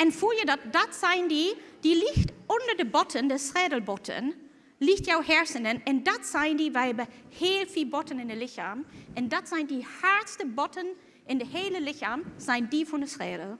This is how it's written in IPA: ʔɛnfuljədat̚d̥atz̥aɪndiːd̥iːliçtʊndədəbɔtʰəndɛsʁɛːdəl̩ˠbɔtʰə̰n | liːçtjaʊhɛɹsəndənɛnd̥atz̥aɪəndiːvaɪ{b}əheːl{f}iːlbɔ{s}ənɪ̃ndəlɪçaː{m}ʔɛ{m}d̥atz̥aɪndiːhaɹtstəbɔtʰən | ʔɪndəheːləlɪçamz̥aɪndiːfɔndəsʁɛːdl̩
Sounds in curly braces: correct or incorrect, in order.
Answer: correct, correct, incorrect: t, correct, incorrect: n

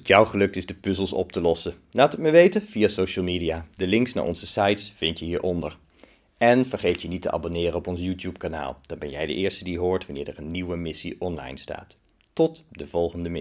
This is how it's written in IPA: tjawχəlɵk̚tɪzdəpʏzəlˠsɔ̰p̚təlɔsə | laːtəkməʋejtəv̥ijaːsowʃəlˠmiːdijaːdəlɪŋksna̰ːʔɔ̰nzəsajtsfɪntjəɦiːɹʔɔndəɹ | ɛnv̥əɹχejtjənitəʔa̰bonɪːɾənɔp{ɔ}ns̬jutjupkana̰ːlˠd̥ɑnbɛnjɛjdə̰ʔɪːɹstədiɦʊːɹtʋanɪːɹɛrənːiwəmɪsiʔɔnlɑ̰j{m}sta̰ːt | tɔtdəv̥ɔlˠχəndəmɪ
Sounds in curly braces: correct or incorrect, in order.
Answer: correct, incorrect: n

